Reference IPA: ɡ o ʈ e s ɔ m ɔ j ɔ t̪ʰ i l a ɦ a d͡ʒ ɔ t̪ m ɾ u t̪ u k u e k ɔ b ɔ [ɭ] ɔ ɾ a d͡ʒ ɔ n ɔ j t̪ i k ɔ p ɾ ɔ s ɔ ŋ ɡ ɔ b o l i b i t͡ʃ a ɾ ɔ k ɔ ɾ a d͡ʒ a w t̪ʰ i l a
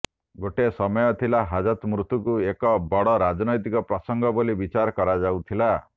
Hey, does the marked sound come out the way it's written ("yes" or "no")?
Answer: no